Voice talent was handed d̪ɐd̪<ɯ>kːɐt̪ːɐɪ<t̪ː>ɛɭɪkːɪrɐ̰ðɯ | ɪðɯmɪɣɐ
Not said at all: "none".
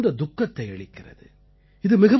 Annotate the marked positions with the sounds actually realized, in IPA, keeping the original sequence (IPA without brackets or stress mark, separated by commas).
ʊ, none